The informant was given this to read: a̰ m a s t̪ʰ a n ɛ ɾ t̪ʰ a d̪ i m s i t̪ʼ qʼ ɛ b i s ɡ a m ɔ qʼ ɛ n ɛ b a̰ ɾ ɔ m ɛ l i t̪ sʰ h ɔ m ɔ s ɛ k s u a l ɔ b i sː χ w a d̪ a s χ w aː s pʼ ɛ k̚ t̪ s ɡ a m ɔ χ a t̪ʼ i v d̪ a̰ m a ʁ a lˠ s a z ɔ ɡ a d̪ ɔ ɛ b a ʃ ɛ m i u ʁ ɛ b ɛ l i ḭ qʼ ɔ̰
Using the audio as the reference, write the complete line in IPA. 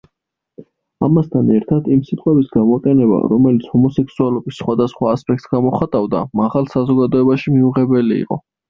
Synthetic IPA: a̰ m a s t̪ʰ a n ɛ ɾ t̪ʰ a d̪ i m s i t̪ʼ qʼ ɛ b i s ɡ a m ɔ qʼ ɛ n ɛ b a̰ ɾ ɔ m ɛ l i t̪ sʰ h ɔ m ɔ s ɛ k s u a l ɔ b i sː χ w a d̪ a s χ w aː s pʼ ɛ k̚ t̪ s ɡ a m ɔ χ a t̪ʼ a v d̪ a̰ m a ʁ a lˠ s a z ɔ ɡ a d̪ ɔ ɛ b a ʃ i m i u ʁ ɛ b ɛ l i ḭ qʼ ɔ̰